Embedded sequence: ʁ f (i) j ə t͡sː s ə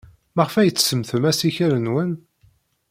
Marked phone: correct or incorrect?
incorrect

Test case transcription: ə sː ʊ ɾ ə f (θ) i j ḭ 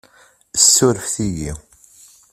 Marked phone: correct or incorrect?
correct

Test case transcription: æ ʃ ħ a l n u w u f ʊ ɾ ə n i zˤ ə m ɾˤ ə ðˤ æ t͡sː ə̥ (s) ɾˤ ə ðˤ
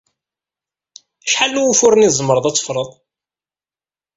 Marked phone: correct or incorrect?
incorrect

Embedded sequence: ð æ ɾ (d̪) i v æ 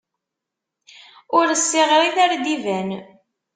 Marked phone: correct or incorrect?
correct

